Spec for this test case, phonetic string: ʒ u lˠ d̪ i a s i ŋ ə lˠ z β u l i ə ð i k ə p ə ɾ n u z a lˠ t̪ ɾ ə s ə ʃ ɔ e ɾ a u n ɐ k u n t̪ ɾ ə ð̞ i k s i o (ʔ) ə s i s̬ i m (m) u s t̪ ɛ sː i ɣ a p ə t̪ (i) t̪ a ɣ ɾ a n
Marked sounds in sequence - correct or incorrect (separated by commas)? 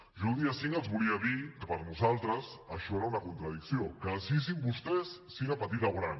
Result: incorrect, incorrect, correct